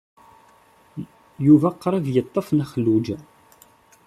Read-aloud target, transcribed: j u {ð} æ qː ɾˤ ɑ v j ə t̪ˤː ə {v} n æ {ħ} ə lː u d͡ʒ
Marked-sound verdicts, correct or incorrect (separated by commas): incorrect, incorrect, incorrect